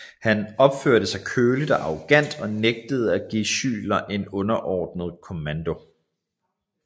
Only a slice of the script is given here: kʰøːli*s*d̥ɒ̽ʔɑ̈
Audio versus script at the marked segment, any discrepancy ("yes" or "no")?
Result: yes